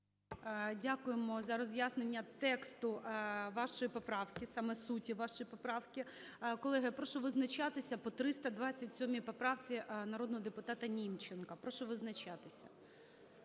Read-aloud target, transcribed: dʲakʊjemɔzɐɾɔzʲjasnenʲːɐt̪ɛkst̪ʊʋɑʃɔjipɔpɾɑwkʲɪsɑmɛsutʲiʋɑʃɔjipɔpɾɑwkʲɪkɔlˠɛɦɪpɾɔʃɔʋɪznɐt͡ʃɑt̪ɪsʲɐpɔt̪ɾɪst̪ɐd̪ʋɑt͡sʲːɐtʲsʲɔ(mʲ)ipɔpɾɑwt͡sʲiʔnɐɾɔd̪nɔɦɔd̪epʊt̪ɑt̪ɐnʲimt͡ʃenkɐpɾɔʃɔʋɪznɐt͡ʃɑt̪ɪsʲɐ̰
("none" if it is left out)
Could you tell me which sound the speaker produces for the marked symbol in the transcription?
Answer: mʲ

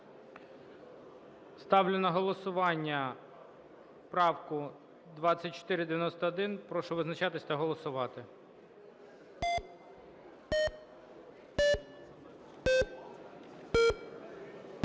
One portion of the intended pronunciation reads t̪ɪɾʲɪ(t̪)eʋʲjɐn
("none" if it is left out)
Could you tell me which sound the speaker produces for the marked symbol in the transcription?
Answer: d̪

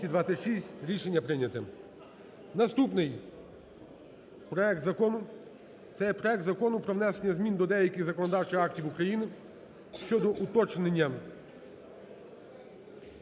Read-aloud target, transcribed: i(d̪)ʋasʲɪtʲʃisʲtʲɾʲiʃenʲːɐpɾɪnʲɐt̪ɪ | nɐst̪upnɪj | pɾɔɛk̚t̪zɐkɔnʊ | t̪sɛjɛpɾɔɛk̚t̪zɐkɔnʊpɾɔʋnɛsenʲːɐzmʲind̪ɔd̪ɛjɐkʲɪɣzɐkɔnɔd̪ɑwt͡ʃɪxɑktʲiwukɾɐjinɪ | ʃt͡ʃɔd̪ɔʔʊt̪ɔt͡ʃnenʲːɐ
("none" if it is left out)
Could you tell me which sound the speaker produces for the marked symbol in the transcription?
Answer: d̪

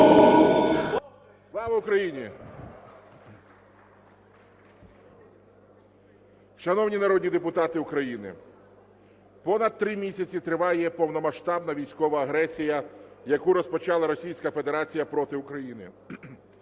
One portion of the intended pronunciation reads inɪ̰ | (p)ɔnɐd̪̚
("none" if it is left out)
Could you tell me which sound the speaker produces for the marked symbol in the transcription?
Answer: p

